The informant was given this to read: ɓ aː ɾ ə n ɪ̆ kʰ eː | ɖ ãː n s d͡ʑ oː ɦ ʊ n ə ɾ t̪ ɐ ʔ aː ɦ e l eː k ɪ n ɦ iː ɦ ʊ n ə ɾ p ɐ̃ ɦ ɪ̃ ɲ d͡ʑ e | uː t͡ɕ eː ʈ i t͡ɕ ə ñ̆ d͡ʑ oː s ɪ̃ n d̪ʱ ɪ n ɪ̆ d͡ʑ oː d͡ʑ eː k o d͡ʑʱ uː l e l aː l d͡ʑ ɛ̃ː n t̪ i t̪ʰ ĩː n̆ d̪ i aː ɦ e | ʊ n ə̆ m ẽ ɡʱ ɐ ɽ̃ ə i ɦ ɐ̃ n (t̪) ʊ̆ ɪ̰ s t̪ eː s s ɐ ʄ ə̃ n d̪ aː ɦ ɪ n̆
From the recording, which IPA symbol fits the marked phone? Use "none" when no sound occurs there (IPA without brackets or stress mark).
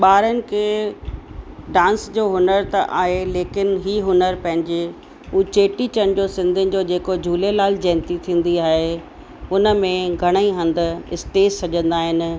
d̪